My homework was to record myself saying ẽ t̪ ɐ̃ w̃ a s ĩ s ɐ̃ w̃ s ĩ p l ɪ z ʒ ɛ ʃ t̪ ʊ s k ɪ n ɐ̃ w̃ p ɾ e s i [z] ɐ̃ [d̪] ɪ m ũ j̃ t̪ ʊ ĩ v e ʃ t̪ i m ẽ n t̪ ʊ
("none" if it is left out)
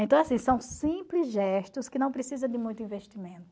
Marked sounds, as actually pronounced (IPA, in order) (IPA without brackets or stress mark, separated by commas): z, d̪